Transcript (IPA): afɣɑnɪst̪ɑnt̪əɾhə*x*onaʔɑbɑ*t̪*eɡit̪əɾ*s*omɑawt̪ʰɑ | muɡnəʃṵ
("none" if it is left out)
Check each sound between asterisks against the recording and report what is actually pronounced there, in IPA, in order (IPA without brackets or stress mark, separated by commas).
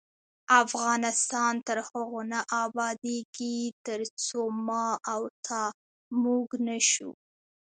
ɣ, d̪, t͡s